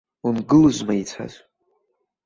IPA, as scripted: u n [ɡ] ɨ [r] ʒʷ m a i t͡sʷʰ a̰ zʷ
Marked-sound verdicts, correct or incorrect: correct, incorrect

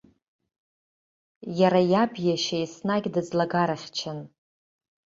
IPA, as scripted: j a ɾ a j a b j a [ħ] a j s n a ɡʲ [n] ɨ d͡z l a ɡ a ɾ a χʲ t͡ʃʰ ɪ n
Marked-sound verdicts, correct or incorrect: incorrect, incorrect

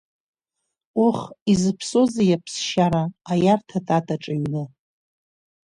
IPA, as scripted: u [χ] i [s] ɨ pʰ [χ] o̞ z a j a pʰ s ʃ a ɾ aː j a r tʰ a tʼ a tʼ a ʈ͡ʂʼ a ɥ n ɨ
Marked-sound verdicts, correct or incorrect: correct, incorrect, incorrect

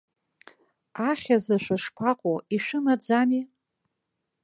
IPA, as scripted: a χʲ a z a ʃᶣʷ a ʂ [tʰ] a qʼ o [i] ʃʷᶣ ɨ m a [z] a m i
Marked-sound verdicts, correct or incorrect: incorrect, correct, incorrect

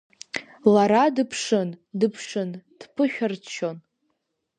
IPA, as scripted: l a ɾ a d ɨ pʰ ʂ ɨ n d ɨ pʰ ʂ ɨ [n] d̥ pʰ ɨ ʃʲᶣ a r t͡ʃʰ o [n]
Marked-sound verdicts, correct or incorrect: correct, correct

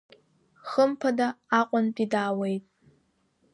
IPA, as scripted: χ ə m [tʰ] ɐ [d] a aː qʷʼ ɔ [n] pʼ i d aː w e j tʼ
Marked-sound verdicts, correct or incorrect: incorrect, correct, correct

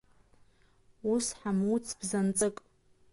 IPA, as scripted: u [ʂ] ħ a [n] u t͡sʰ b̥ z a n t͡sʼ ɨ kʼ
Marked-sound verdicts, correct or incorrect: incorrect, incorrect

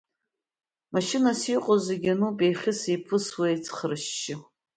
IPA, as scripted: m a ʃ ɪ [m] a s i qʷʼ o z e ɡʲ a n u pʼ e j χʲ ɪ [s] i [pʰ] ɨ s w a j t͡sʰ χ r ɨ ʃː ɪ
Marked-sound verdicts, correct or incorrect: incorrect, correct, correct

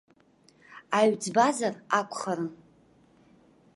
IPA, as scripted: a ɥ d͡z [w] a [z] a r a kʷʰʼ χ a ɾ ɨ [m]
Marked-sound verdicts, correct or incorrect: incorrect, correct, incorrect

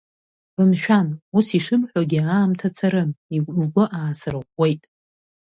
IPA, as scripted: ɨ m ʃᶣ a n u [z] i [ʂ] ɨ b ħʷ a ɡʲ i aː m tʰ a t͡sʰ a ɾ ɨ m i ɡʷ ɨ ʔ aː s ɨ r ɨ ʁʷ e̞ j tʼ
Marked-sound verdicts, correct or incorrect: incorrect, correct

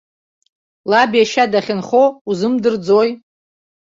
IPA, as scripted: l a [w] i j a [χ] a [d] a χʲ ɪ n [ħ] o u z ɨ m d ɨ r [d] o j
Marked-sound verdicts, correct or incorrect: incorrect, incorrect, correct, incorrect, incorrect

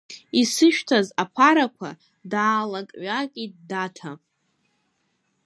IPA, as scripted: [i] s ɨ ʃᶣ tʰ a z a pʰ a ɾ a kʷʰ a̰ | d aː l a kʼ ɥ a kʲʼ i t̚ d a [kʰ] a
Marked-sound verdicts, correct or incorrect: correct, incorrect

